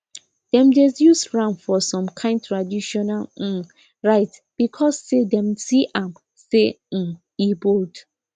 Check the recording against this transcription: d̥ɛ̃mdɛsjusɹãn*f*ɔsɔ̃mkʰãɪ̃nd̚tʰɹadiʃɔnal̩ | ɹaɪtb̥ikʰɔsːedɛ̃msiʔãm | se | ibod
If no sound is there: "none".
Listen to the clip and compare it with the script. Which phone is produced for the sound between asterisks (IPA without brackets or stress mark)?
f